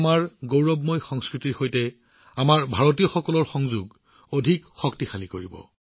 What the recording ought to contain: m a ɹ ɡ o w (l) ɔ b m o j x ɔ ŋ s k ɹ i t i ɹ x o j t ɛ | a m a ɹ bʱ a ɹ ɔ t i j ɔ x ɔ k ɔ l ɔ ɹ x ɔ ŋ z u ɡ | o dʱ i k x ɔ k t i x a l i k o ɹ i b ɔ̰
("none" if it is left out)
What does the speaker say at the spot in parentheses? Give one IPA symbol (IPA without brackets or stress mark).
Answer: ɹ